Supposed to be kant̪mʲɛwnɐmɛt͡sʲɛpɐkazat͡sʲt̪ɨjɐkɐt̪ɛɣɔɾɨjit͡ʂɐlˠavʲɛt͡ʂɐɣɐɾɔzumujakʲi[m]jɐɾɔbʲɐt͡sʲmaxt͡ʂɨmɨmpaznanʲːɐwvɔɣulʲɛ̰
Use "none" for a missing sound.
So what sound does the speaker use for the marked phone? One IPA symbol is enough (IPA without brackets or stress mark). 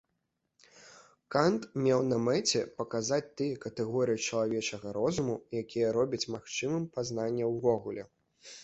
none